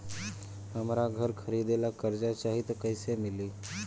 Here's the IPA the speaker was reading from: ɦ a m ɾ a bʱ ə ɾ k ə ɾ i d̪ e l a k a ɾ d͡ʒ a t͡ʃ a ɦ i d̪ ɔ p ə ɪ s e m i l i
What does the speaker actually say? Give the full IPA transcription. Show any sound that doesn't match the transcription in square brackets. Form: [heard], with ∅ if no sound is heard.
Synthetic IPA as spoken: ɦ [ə] m ɾ a [ɡʱ] ə ɾ [kʰ] ə ɾ i d̪ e l a k [ə] ɾ d͡ʒ a t͡ʃ a ɦ i [t̪] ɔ [k] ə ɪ s e m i l i